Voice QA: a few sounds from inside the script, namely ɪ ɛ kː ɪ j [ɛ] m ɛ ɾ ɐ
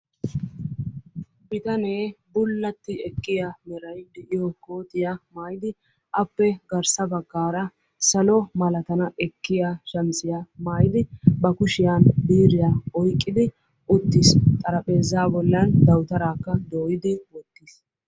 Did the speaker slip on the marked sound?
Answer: yes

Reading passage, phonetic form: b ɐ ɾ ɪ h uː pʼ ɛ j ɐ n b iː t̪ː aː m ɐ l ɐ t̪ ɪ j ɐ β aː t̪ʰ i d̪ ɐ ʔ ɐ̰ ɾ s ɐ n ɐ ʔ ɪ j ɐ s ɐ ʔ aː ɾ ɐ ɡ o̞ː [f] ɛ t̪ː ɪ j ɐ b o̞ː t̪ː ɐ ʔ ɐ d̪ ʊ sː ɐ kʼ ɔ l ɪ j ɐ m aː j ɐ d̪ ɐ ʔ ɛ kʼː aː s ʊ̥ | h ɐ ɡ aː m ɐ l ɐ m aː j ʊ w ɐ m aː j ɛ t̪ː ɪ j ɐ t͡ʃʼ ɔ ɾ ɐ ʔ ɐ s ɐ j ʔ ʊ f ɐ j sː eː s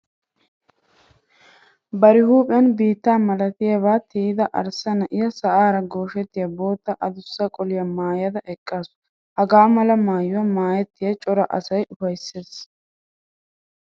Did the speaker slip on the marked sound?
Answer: yes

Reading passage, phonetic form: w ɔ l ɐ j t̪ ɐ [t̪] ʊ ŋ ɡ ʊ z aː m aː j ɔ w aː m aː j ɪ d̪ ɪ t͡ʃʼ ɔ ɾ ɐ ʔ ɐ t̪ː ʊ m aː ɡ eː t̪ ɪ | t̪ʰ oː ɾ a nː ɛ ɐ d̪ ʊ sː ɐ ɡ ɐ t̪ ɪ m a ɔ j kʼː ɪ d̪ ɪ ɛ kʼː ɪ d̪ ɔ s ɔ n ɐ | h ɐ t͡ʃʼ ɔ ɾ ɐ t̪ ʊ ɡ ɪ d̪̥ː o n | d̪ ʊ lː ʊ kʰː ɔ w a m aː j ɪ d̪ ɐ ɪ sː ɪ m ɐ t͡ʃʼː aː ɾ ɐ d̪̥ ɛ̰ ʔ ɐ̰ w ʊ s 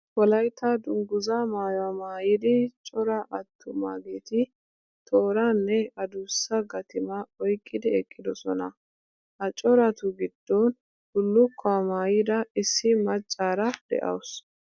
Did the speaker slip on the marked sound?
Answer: yes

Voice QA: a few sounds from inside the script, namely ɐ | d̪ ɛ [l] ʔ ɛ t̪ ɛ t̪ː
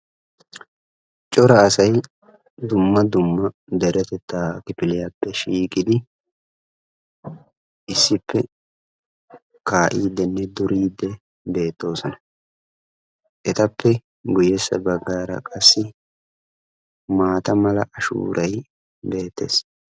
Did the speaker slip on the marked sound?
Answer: yes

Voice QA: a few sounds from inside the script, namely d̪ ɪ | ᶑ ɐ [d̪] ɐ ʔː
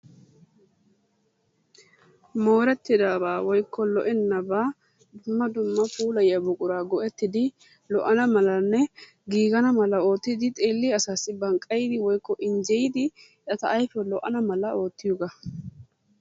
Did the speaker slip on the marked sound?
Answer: yes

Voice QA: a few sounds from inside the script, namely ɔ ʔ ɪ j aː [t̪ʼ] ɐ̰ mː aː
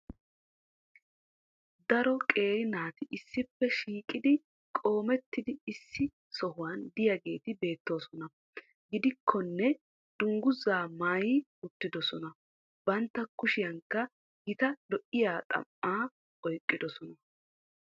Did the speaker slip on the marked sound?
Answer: no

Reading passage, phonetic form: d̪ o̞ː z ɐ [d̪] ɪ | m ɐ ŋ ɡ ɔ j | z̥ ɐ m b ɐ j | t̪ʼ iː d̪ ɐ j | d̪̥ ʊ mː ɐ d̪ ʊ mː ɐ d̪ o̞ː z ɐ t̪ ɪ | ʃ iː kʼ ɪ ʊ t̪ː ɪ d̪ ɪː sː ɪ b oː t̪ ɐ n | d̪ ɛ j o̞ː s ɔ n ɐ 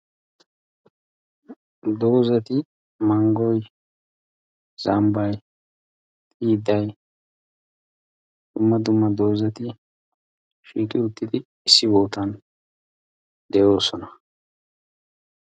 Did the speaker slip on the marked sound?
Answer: yes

